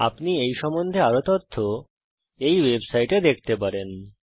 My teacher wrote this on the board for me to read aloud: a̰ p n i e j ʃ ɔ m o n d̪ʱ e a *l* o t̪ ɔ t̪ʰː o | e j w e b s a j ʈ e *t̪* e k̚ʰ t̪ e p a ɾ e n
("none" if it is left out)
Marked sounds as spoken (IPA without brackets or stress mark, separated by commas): ɾ, d̪